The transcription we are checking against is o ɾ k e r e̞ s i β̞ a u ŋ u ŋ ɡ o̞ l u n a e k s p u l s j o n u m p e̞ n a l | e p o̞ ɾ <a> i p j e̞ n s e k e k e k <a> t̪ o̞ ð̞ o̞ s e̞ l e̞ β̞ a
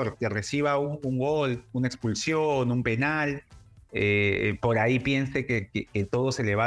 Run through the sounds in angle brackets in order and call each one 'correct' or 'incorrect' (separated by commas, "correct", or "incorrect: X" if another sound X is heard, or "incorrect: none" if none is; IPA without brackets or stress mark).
correct, incorrect: e